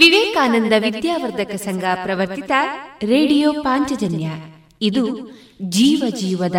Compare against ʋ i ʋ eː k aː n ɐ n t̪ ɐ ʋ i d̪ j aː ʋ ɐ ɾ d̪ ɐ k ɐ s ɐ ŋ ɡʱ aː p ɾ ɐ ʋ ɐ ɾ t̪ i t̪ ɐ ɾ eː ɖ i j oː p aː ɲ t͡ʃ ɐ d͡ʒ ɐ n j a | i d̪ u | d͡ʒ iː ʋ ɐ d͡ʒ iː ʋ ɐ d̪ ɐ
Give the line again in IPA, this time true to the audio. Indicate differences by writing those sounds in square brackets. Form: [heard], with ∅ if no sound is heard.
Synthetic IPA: ʋ i ʋ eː k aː n ɐ n [d̪] ɐ ʋ i d̪ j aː ʋ ɐ ɾ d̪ ɐ k ɐ s ɐ ŋ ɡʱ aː p ɾ ɐ ʋ ɐ ɾ t̪ i t̪ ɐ ɾ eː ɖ i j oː p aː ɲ t͡ʃ ɐ d͡ʒ ɐ n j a | i d̪ u | d͡ʒ iː ʋ ɐ d͡ʒ iː ʋ ɐ d̪ ɐ